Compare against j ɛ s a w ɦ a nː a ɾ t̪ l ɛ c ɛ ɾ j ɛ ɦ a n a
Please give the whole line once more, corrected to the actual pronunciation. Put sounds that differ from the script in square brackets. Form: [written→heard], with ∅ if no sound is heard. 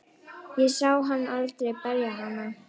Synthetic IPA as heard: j ɛ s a w ɦ a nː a [ɾ→l] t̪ [l→ɾ] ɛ [c→p] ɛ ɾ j [ɛ→a] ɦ a n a